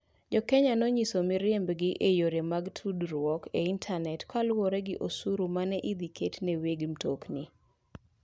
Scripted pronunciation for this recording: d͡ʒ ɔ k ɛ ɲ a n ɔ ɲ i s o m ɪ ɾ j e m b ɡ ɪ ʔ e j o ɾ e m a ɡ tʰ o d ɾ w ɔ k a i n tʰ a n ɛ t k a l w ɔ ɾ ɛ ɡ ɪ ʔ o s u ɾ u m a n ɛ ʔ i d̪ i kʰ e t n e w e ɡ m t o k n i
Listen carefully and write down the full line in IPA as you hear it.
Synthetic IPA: d͡ʒ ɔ k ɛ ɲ a n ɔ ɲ i s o m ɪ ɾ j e m b ɡ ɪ ʔ e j o ɾ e m a ɡ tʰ u d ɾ w ɔ k e i n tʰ a n ɛ t k a l w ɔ ɾ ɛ ɡ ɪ ʔ o s u ɾ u m a n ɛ ʔ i d̪ i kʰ e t n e w e ɡ m t o k n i